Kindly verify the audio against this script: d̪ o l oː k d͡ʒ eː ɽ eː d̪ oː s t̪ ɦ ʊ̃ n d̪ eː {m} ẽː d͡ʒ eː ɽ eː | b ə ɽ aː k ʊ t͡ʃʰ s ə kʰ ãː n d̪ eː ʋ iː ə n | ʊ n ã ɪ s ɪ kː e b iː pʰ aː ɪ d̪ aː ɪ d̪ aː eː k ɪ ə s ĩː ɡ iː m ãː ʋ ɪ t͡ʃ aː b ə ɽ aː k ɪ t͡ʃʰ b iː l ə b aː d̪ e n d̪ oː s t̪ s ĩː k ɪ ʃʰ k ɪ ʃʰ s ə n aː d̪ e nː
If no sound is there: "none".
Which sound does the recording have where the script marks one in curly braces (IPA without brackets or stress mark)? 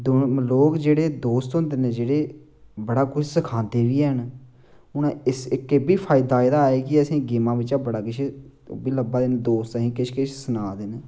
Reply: n